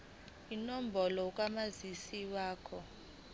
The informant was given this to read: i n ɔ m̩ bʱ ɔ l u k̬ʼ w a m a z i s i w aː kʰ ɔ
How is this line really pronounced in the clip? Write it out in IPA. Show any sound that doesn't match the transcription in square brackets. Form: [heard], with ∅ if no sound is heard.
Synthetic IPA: i n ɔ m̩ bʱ ɔ l [ɔ] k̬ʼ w a m a z i s i w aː kʰ ɔ